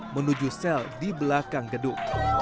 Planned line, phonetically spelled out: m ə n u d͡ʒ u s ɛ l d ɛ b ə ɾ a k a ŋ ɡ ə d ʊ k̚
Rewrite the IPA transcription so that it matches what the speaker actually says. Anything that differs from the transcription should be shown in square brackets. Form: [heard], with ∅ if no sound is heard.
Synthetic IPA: m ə n u d͡ʒ u s ɛ l d [i] b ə [l] a k a ŋ ɡ ə d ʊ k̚